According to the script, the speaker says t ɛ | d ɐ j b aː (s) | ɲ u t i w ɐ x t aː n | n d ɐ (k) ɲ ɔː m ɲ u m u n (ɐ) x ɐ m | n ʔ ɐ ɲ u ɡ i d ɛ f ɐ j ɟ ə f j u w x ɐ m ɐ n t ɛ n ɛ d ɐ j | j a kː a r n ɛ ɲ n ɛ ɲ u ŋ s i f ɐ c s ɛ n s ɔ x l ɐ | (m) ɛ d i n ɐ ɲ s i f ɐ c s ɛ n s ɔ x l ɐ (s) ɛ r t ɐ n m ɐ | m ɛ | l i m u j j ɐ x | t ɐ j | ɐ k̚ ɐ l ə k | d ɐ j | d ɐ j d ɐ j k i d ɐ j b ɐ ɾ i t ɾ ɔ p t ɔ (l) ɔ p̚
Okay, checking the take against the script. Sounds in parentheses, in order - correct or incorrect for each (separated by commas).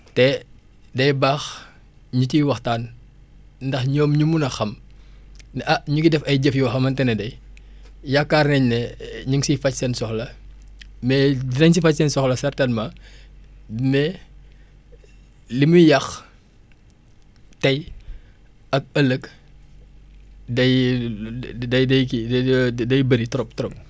incorrect, incorrect, correct, correct, correct, incorrect